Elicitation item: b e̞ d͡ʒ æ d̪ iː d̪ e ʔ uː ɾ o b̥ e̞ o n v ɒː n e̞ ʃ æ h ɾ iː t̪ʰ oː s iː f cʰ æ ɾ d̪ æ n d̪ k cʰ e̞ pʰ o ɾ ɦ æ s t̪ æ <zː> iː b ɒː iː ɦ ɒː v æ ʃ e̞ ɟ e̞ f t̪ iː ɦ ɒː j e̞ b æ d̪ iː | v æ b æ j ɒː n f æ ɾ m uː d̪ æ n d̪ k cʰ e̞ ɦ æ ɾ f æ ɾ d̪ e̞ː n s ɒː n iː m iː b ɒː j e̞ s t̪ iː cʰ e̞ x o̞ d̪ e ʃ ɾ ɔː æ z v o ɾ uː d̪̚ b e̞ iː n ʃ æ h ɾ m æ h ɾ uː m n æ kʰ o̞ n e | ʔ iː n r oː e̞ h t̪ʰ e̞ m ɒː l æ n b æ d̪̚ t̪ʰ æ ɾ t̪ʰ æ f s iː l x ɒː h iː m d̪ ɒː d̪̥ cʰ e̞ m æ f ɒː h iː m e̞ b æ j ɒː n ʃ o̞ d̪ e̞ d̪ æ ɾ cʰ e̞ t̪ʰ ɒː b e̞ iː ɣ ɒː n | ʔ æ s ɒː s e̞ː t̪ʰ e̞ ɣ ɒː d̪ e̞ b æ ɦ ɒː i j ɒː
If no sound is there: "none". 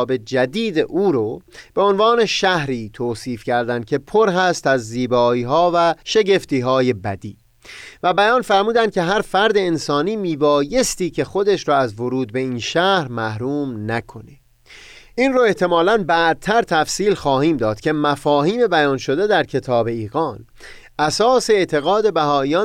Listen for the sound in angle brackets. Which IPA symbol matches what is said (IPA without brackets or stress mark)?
zː